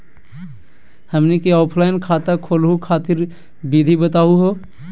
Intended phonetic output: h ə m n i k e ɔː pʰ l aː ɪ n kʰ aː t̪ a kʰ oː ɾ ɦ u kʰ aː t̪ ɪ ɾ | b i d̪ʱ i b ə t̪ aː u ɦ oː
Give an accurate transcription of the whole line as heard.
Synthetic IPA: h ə m n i k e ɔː pʰ l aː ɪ n kʰ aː t̪ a kʰ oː l ɦ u kʰ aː t̪ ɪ ɾ | b i d̪ʱ i b ə t̪ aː u ɦ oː